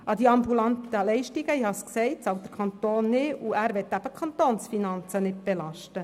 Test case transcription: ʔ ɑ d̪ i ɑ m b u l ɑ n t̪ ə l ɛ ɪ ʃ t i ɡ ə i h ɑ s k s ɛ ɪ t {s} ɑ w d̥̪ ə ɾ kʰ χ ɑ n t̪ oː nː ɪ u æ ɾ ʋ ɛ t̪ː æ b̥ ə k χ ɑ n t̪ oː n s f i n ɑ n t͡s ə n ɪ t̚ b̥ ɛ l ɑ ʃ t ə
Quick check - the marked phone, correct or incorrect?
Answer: correct